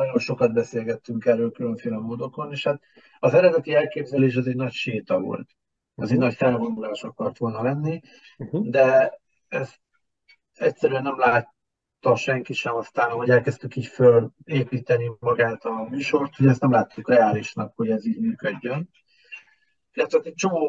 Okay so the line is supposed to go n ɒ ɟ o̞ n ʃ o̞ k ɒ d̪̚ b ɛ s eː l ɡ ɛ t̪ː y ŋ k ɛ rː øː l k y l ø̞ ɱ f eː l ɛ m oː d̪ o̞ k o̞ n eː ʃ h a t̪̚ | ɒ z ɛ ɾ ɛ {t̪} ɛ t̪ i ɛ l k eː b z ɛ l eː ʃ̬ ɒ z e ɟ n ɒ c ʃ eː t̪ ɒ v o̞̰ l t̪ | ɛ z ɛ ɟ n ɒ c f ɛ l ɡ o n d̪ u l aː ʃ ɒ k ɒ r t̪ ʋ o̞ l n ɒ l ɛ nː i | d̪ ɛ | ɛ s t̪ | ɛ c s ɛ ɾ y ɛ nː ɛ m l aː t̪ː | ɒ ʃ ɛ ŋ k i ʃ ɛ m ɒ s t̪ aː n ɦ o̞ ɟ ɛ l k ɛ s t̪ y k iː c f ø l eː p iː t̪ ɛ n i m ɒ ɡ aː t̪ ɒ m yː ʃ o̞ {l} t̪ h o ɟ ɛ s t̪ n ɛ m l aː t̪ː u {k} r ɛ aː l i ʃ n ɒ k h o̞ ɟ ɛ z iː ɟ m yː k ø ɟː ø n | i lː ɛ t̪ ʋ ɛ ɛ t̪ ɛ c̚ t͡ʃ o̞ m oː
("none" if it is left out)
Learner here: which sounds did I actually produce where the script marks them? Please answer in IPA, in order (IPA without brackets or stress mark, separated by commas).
d̪, r, k